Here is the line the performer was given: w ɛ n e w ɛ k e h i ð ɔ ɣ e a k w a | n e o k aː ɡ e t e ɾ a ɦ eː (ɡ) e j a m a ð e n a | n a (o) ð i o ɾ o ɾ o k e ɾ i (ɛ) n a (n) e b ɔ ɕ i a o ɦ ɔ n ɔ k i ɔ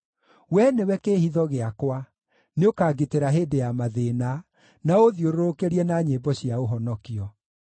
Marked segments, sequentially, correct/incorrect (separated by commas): incorrect, correct, correct, incorrect